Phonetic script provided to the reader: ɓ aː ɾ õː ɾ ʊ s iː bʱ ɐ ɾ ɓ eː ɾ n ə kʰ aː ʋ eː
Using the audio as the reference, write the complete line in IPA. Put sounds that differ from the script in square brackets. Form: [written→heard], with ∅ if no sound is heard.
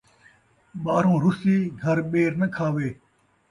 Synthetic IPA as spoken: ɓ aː ɾ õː ɾ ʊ s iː [bʱ→ɡʱ] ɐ ɾ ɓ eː ɾ n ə kʰ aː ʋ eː